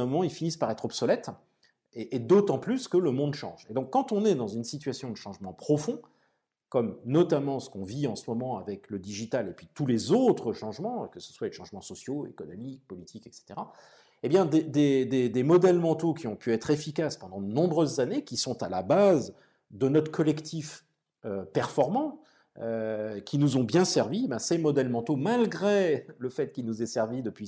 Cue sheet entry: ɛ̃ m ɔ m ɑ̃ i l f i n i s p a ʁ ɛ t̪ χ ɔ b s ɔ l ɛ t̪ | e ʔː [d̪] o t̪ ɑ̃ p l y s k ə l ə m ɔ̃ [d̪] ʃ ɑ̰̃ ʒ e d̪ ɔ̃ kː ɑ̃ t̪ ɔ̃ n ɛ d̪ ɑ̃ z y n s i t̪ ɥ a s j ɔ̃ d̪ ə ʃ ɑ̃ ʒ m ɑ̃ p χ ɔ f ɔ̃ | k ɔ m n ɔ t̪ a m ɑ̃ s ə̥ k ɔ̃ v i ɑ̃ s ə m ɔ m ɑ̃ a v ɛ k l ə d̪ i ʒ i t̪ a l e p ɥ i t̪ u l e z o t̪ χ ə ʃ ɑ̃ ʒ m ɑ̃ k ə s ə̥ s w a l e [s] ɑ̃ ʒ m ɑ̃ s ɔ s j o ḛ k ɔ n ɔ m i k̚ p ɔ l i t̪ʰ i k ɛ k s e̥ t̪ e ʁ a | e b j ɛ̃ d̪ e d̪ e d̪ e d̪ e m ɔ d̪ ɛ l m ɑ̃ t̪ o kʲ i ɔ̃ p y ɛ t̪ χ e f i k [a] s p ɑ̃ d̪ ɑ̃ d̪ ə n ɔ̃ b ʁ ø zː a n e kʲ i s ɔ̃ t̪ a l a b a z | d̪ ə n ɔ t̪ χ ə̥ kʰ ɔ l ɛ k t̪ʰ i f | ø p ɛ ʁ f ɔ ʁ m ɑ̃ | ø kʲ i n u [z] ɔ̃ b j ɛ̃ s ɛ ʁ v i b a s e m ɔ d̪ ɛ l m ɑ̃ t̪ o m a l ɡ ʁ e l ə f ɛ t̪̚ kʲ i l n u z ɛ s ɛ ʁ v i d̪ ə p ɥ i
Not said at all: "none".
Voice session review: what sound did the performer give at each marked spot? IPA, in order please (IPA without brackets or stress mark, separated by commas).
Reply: d̪, d̪, ʃ, a, z